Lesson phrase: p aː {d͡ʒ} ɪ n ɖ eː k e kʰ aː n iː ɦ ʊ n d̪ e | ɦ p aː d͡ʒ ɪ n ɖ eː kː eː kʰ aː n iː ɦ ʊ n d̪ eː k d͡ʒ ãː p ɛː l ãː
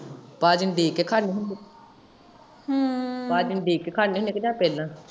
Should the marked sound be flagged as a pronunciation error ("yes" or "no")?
no